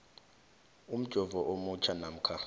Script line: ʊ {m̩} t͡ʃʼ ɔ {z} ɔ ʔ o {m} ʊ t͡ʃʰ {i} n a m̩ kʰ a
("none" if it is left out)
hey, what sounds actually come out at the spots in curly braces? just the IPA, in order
m̩, v, m, a

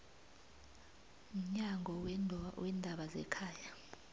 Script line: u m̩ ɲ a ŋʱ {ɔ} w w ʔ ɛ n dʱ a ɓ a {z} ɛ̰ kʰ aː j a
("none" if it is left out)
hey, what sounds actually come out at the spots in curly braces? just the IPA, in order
ɔ, z

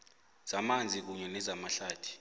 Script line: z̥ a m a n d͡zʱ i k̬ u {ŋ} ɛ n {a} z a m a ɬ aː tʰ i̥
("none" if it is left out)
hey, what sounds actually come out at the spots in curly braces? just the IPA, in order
ɲ, ɛ

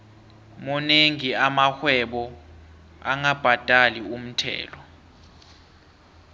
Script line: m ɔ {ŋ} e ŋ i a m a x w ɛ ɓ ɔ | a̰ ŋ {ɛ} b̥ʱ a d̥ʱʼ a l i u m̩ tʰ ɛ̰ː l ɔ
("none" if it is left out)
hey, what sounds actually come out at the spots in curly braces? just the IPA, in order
n, a

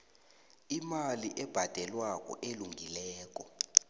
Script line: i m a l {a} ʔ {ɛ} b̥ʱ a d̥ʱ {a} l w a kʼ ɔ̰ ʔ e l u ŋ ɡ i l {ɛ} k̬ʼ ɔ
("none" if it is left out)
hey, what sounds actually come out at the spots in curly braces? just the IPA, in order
i, ɛ, ɛ, ɛː

